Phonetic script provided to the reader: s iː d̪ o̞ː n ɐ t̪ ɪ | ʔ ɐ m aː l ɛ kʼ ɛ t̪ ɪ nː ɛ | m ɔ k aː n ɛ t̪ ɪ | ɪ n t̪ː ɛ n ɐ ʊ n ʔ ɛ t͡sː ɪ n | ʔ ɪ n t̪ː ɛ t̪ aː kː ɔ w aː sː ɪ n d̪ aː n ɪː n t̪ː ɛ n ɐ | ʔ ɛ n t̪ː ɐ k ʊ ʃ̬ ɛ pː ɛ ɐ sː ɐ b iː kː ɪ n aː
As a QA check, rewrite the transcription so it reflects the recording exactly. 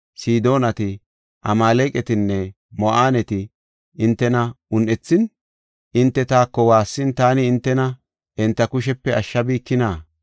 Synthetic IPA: s iː d̪ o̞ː n ɐ t̪ ɪ | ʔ ɐ m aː l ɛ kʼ ɛ t̪ ɪ nː ɛ | m ɔ ʔ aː n ɛ t̪ ɪ | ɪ n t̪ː ɛ n ɐ ʊ n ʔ ɛ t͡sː ɪ n | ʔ ɪ n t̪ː ɛ t̪ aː kː ɔ w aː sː ɪ n t̪ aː n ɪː n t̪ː ɛ n ɐ | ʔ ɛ n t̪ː ɐ k ʊ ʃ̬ ɛ pː ɛ ɐ ʃː ɐ b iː kː ɪ n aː